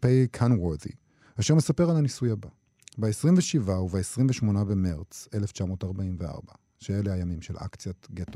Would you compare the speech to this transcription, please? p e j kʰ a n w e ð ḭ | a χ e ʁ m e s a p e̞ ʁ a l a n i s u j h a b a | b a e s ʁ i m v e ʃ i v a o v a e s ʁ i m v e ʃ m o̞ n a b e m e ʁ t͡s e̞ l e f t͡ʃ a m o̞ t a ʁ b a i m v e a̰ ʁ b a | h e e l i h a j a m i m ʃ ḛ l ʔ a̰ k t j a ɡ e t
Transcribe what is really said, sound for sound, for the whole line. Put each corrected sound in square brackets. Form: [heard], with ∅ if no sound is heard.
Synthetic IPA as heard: p e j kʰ a n w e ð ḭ | a [ʃ] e ʁ m e s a p e̞ ʁ a l a n i s u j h a b a | b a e s ʁ i m v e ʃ i v a [u] v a e s ʁ i m v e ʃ m o̞ n a b e m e ʁ t͡s e̞ l e f t͡ʃ a m o̞ t a ʁ b a i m v e a̰ ʁ b a | [ʃ] e e l [e] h a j a m i m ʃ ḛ l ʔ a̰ k [t͡s] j a ɡ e t